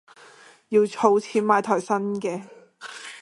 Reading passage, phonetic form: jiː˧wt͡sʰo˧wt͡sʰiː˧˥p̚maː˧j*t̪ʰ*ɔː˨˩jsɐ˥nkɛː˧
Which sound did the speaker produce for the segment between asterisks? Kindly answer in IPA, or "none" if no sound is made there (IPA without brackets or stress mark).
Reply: t̪ʰ